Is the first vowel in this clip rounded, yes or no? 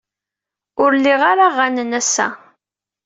yes